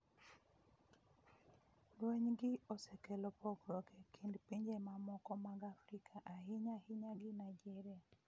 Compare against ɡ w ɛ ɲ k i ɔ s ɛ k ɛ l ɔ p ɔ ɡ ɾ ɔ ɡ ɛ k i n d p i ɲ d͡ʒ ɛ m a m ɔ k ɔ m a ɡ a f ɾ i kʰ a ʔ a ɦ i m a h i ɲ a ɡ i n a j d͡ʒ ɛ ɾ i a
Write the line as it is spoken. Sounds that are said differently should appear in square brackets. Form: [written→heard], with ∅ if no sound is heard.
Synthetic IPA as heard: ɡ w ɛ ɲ [k→ɡ] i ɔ s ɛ k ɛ l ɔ p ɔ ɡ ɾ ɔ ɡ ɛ k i n d p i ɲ d͡ʒ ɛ m a m ɔ k ɔ m a ɡ a f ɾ i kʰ a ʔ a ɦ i [m→ɲ] a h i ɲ a ɡ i n a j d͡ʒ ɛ ɾ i a

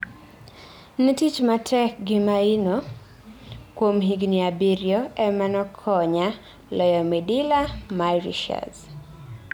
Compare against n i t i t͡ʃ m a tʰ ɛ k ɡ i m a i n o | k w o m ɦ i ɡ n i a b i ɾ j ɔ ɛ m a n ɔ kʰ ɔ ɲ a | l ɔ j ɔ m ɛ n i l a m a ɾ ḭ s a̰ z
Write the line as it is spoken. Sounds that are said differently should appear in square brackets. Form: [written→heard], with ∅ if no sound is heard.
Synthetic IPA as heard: n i t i t͡ʃ m a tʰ ɛ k ɡ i m a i n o | k w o m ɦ i ɡ n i a b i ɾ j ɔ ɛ m a n ɔ kʰ ɔ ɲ a | l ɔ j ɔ m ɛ [n→d] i l a m a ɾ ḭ [s→ʃ] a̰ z

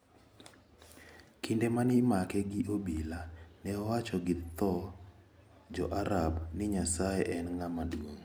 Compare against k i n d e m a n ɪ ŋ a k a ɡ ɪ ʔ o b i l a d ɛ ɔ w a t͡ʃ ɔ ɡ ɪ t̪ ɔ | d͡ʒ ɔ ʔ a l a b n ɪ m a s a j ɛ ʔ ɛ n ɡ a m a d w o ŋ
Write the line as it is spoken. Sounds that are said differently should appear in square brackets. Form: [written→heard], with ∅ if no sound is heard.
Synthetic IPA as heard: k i n d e m a n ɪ [ŋ→m] a k [a→ɛ] ɡ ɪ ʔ o b i l a [d→n] ɛ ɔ w a t͡ʃ ɔ ɡ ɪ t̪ ɔ | d͡ʒ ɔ ʔ a [l→ɾ] a b n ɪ [m→ɲ] a s a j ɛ ʔ ɛ n [ɡ→ŋ] a m a d w o ŋ

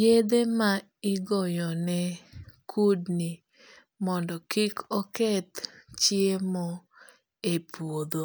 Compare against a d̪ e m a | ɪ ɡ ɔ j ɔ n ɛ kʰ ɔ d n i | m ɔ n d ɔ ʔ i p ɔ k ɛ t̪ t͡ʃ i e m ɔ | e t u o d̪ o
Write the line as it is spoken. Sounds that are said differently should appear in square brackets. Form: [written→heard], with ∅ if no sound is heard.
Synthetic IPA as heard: [a→e] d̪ e m a | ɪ ɡ ɔ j ɔ n ɛ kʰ [ɔ→u] d n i | m ɔ n d ɔ [ʔ→k] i [p→k] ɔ k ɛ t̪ t͡ʃ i e m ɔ | e [t→p] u o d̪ o

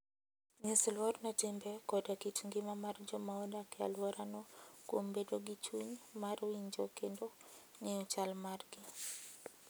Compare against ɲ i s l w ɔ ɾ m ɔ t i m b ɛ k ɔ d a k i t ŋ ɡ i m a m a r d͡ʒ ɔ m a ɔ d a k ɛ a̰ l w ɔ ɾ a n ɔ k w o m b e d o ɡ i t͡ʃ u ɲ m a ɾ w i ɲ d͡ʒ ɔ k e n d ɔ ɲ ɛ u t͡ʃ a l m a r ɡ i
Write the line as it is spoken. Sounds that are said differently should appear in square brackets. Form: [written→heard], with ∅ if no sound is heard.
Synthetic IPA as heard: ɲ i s l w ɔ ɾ [m→n] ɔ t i m b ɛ k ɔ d a k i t ŋ ɡ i m a m a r d͡ʒ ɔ m a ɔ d a k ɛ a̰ l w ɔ ɾ a n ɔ k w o m b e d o ɡ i t͡ʃ u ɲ m a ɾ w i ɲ d͡ʒ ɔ k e n d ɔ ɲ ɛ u t͡ʃ a l m a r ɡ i

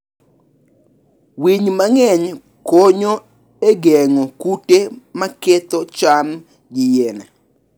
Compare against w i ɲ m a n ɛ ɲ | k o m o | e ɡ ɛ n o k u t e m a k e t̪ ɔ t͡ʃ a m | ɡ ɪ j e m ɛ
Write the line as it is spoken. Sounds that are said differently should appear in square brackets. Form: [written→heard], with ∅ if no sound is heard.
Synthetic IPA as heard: w i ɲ m a [n→ŋ] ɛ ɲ | k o [m→ɲ] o | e ɡ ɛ [n→ŋ] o k u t e m a k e t̪ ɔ t͡ʃ a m | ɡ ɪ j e [m→n] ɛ

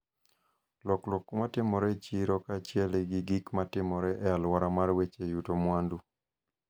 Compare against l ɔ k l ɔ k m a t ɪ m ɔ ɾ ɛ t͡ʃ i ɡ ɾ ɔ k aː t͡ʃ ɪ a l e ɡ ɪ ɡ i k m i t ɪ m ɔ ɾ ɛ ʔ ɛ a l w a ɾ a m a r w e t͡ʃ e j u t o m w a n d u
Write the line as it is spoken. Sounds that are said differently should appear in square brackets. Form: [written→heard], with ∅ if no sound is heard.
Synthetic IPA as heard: l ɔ k l ɔ k m a t ɪ m ɔ ɾ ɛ t͡ʃ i [ɡ→∅] ɾ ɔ k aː t͡ʃ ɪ [a→ɛ] l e ɡ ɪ ɡ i k m [i→a] t ɪ m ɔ ɾ ɛ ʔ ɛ a l w a ɾ a m a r w e t͡ʃ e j u t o m w a n d u

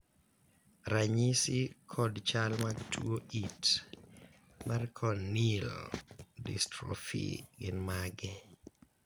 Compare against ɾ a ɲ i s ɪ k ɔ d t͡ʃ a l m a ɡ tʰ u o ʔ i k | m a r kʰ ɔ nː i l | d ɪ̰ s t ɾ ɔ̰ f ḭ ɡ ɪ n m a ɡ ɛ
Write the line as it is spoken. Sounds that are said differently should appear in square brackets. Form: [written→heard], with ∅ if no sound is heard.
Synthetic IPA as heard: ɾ a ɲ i s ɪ [k→kʰ] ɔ d t͡ʃ a l m a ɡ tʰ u o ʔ i [k→t] | m a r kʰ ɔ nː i l | d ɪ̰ s t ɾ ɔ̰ f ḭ ɡ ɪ n m a ɡ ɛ

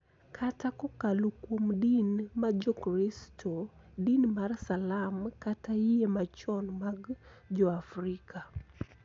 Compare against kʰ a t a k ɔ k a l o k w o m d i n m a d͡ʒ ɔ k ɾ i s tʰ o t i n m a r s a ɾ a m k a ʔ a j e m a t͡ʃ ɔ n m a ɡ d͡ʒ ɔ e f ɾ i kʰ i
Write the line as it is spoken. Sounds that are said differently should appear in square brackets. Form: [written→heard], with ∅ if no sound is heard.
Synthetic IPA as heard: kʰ a t a k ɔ k a l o k w o m d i n m a d͡ʒ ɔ k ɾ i s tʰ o [t→d] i n m a r s a [ɾ→l] a m k a [ʔ→t] a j e m a t͡ʃ ɔ n m a ɡ d͡ʒ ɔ [e→a] f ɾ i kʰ [i→a]

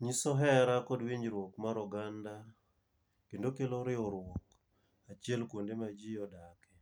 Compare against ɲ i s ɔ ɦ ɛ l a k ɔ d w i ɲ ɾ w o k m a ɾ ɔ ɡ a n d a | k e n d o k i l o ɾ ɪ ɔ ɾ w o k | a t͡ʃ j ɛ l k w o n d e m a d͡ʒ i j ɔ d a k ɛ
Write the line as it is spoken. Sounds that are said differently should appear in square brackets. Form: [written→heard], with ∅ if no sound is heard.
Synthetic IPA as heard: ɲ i s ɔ ɦ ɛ [l→ɾ] a k ɔ d w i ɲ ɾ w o k m a ɾ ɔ ɡ a n d a | k e n d o k [i→e] l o ɾ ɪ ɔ ɾ w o k | a t͡ʃ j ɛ l k w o n d e m a d͡ʒ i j ɔ d a k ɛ

